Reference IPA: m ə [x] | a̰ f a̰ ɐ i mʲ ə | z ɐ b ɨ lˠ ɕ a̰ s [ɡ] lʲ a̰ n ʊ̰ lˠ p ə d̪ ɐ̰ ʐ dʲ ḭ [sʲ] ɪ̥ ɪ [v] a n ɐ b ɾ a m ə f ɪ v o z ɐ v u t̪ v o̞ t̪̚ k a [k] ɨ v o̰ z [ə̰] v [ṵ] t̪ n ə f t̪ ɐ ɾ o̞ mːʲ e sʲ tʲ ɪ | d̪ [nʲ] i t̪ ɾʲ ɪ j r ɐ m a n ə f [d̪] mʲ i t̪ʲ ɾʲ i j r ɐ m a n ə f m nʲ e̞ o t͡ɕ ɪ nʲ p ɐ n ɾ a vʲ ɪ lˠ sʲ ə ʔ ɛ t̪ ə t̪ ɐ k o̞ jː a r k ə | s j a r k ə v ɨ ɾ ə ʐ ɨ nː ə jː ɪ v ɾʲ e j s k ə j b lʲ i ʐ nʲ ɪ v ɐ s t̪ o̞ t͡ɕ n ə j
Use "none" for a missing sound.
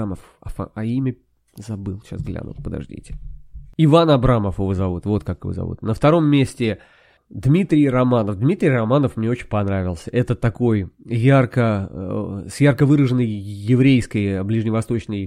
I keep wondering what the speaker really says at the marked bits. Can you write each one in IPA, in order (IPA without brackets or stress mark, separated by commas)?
f, ɡ, tʲ, v, k, ɐ̰, ṵ, mʲ, d̪